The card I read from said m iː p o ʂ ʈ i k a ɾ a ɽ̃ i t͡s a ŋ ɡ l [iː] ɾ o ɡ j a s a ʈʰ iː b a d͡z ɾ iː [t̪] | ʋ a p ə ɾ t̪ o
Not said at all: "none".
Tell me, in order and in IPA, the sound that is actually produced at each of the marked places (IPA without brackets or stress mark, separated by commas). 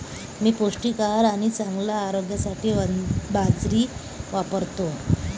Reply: aː, none